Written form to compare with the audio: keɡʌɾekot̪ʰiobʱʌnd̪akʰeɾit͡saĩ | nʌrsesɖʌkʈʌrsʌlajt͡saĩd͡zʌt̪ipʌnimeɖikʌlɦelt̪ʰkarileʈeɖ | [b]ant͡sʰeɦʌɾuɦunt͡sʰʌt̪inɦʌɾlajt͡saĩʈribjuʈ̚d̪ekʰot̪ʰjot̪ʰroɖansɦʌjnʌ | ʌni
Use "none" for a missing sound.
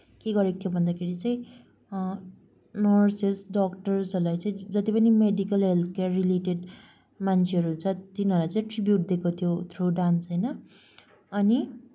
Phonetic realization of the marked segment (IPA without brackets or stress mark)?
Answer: m